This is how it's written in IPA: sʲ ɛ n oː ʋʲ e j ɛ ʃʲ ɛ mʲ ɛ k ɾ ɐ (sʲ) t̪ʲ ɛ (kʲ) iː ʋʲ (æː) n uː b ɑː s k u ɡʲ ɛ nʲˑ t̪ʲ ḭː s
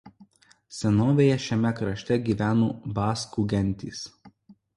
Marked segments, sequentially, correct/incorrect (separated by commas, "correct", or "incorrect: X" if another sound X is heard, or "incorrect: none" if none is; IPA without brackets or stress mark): incorrect: ʃʲ, incorrect: ɡʲ, correct